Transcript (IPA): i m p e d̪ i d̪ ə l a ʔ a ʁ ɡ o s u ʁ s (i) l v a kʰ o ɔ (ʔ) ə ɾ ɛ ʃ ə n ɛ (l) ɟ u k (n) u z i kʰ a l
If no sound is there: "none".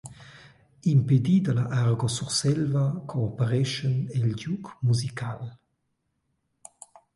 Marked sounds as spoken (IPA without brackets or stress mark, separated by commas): ɛ, p, l, m